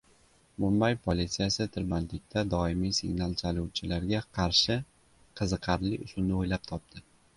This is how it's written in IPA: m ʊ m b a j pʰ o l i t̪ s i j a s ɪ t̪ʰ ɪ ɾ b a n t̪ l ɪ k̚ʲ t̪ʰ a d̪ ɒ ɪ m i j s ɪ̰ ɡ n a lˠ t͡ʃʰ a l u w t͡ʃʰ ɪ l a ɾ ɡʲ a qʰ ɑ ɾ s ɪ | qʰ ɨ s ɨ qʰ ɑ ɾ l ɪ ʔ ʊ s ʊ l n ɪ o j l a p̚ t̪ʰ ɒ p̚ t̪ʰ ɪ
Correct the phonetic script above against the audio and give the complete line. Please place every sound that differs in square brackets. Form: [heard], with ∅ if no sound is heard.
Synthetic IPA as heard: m ʊ m b a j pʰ o l i t̪ s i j a s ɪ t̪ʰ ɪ ɾ b a n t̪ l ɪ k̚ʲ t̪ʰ a d̪ ɒ ɪ m i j s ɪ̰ ɡ n a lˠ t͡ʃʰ a l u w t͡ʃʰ ɪ l a ɾ ɡʲ a qʰ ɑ ɾ [ʃ] ɪ | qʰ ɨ [z] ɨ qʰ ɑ ɾ l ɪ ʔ ʊ s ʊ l n ɪ o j l a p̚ t̪ʰ ɒ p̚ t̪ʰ ɪ